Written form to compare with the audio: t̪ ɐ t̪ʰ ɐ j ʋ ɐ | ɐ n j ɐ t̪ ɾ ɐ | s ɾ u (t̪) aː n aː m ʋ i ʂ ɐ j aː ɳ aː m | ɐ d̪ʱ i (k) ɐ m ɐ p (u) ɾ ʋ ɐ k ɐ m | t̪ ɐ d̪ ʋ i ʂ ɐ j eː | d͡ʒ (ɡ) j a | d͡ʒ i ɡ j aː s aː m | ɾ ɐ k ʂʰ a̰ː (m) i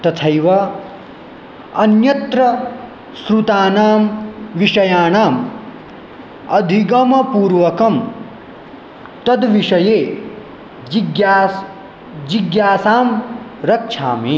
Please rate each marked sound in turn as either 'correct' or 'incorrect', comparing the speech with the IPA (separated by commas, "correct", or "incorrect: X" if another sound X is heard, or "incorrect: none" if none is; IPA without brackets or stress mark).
correct, incorrect: ɡ, incorrect: uː, correct, correct